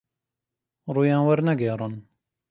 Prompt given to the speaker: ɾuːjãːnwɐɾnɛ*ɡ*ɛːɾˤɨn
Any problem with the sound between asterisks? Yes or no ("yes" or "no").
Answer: no